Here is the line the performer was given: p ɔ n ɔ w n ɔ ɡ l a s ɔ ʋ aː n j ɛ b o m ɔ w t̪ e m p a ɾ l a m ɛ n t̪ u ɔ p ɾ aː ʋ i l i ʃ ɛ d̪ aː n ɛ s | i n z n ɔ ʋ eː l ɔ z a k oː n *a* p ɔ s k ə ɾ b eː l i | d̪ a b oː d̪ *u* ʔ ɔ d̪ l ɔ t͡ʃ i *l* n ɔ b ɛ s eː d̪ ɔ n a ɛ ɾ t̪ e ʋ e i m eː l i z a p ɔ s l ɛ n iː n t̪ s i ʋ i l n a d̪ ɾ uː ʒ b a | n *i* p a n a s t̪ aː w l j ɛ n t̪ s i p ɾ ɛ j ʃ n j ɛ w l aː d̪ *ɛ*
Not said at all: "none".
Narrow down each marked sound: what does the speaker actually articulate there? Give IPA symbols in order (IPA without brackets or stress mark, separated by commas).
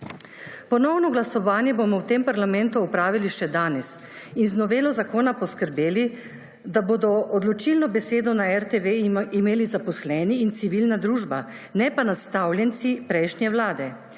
a, ɔ, l, ɛ, ɛ